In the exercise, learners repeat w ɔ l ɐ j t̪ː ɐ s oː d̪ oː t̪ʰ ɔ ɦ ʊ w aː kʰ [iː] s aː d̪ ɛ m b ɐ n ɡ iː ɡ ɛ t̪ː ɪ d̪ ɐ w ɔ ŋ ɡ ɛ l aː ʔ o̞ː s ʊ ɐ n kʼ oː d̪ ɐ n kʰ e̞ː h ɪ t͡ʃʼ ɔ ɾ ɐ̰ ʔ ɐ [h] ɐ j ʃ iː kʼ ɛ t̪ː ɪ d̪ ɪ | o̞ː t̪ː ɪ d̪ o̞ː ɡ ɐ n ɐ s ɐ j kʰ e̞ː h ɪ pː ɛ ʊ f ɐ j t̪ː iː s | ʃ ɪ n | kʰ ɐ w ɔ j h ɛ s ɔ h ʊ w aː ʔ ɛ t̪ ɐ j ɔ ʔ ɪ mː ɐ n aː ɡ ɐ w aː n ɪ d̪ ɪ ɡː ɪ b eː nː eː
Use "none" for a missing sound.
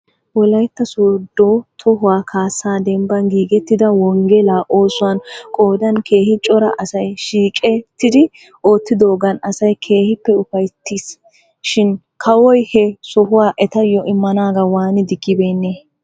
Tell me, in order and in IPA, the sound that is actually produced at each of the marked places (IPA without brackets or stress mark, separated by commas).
aː, s